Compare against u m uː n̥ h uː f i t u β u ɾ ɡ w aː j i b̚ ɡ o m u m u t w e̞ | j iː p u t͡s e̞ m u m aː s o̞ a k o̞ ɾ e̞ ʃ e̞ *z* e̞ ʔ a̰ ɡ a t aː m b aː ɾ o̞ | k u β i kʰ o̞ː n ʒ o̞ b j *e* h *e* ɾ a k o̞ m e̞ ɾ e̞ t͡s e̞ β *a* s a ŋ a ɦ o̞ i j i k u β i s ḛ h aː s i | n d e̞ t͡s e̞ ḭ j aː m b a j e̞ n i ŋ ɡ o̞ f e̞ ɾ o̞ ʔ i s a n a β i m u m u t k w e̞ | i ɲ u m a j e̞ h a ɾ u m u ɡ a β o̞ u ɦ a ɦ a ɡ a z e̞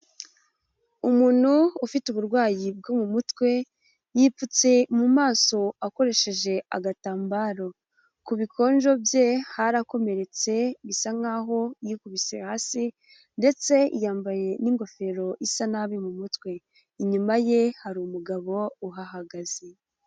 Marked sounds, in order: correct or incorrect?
incorrect, correct, incorrect, incorrect

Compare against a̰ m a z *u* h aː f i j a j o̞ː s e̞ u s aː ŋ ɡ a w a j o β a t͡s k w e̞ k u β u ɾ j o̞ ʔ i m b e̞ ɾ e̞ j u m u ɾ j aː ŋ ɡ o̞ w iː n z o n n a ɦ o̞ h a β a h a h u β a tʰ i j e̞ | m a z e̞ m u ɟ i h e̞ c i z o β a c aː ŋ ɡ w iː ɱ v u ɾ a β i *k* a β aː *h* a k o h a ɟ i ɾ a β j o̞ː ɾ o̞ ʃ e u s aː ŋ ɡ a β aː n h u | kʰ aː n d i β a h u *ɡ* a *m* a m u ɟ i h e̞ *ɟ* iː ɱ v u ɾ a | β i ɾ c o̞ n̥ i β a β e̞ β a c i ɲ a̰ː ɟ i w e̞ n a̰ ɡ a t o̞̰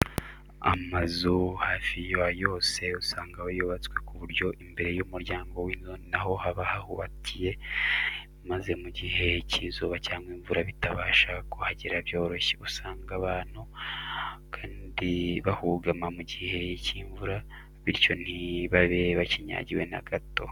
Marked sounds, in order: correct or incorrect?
correct, incorrect, incorrect, correct, correct, incorrect

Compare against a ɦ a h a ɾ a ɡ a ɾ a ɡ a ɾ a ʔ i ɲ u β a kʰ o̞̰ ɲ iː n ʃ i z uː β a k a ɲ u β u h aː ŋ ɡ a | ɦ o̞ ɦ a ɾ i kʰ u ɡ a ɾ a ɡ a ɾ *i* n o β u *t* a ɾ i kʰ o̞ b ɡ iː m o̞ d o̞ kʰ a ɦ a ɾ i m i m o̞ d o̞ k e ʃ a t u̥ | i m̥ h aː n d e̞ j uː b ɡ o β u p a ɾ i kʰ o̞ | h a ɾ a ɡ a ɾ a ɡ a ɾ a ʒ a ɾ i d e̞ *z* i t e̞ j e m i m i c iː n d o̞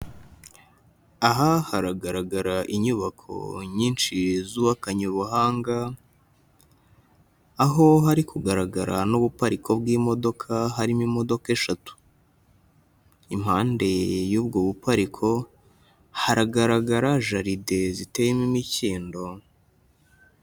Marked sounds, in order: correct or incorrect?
incorrect, incorrect, correct

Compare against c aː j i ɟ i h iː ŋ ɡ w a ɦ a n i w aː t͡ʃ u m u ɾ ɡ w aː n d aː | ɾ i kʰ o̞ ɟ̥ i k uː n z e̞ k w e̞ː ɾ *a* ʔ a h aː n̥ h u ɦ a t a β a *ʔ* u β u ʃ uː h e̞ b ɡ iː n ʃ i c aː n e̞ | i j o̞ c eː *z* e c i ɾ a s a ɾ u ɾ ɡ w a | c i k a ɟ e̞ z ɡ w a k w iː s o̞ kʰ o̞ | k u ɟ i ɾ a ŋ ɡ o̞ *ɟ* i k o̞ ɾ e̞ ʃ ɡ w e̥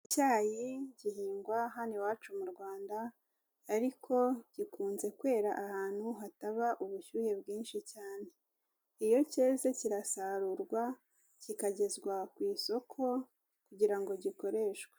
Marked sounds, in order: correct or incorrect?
correct, correct, correct, correct

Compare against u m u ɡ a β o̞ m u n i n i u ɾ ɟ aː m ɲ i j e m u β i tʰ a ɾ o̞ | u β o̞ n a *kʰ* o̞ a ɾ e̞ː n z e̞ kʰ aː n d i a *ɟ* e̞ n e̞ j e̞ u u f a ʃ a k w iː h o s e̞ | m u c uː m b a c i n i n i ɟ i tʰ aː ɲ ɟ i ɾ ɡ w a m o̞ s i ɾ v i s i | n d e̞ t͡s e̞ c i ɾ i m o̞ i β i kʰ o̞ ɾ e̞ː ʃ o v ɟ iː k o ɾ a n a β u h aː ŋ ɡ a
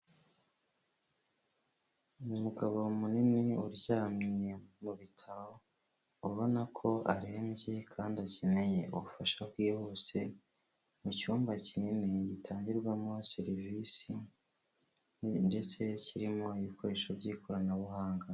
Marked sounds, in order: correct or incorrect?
correct, incorrect

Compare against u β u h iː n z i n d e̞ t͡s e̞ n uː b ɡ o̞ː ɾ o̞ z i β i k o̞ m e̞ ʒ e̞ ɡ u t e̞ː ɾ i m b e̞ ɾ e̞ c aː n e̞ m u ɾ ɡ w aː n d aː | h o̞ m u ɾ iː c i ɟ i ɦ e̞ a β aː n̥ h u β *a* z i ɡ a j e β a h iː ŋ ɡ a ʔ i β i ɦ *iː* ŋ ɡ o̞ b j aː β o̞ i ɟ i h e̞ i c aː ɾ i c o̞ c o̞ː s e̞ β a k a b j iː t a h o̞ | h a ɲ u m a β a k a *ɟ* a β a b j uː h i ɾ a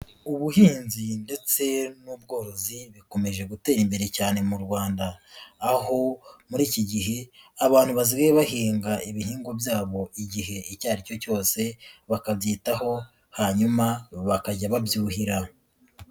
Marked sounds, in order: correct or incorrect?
correct, correct, correct

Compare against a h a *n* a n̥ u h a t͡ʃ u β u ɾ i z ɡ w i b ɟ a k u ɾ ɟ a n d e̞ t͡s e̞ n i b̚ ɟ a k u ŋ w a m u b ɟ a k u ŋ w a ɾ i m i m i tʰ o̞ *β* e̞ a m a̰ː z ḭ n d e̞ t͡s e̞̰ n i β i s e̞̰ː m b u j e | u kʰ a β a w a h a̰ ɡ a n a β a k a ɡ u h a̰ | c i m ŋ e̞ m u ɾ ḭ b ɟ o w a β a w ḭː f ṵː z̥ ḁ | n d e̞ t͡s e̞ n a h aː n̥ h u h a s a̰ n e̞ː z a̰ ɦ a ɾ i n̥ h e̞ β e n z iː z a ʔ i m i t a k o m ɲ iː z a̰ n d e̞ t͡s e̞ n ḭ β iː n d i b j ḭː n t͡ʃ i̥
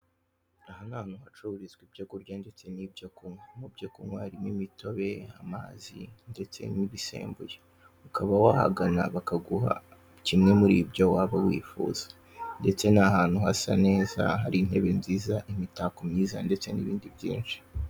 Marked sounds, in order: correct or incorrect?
correct, correct

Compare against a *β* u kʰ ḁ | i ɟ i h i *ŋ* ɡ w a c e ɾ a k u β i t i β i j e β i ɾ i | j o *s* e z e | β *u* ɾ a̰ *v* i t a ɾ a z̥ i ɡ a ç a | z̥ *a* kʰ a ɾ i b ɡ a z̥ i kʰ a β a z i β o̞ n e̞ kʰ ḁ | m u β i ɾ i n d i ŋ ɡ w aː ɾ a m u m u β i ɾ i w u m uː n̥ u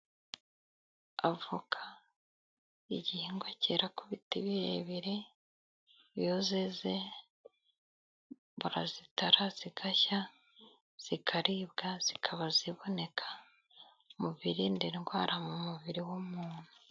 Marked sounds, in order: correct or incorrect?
incorrect, correct, incorrect, correct, incorrect, incorrect

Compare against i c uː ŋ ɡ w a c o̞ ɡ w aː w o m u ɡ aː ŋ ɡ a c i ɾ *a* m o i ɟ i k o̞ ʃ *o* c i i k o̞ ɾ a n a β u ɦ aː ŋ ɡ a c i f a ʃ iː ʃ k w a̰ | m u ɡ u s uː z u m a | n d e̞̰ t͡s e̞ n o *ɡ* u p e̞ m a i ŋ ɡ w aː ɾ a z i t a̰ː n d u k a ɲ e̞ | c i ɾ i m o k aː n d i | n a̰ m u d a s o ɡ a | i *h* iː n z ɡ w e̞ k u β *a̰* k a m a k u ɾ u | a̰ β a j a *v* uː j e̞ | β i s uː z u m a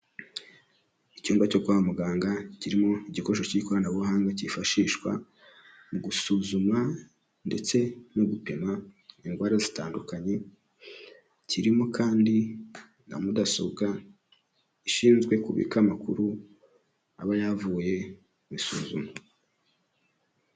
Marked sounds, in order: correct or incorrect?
incorrect, correct, correct, incorrect, incorrect, correct

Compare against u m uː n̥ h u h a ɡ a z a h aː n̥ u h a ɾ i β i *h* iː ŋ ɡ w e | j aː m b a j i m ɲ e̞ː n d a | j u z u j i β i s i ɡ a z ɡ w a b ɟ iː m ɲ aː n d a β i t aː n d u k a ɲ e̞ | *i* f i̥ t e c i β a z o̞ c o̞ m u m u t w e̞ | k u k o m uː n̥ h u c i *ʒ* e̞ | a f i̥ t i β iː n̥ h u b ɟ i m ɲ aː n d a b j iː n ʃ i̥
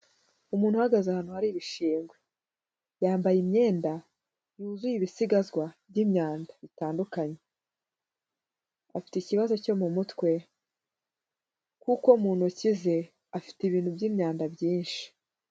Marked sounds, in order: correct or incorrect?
incorrect, incorrect, incorrect

